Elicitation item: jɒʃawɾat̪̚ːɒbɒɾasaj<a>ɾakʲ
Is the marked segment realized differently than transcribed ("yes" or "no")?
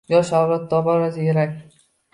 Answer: yes